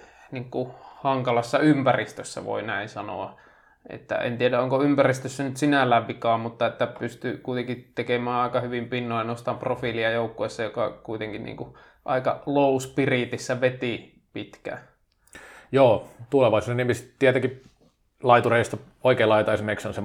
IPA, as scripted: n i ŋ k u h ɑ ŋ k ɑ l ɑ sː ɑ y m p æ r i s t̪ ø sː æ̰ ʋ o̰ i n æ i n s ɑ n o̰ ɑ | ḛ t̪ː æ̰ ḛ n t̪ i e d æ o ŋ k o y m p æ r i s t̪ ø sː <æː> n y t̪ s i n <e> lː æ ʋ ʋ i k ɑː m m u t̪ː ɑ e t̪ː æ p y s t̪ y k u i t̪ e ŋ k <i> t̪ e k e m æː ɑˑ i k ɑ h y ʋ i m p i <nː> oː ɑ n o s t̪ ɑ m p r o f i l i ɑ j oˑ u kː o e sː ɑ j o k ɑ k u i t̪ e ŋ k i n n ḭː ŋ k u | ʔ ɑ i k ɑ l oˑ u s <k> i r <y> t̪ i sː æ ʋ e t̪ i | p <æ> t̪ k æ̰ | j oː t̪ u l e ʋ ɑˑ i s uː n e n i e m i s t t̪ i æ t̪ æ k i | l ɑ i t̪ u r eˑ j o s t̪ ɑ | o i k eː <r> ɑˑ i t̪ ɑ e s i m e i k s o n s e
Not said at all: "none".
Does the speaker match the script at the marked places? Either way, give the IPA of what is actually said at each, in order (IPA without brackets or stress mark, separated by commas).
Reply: æ, æ, i, nː, p, i, i, l